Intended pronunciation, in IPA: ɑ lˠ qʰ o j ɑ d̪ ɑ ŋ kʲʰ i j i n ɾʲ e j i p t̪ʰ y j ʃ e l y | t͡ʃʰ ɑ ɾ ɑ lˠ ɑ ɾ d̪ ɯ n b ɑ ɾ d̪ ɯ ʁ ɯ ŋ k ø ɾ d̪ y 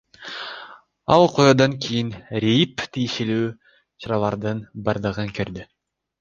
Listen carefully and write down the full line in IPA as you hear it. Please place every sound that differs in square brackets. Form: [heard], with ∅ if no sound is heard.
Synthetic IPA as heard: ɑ lˠ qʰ o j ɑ d̪ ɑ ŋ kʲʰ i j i n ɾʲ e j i p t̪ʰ [i] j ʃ e l [yː] | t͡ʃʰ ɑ ɾ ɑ lˠ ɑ ɾ d̪ ɯ n b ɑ ɾ d̪ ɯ ʁ ɯ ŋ k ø ɾ d̪ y